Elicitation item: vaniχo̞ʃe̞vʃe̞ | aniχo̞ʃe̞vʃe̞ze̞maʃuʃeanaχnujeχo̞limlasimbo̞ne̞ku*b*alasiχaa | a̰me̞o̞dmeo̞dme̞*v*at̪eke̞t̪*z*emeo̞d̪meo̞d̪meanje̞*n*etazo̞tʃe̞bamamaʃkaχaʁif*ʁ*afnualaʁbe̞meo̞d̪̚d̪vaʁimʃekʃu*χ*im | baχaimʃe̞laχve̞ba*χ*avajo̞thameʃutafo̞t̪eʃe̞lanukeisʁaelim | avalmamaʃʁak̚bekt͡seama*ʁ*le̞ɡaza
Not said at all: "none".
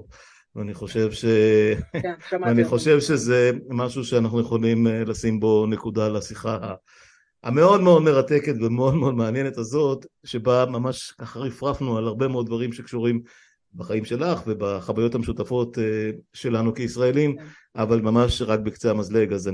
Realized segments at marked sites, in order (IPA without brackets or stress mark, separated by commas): d, ʁ, v, n, ʁ, ʁ, χ, z